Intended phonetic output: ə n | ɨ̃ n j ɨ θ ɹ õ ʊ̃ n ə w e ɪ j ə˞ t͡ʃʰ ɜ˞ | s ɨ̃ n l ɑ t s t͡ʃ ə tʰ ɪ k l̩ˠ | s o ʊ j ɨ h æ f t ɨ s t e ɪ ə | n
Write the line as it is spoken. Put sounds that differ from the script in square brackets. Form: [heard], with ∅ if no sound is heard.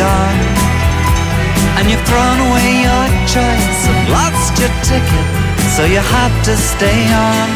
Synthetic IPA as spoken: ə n | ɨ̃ n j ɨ θ ɹ õ ʊ̃ n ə w e ɪ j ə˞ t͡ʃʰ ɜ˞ | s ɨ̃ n l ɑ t s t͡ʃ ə tʰ ɪ k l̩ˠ | s o ʊ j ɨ h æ f t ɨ s t e ɪ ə | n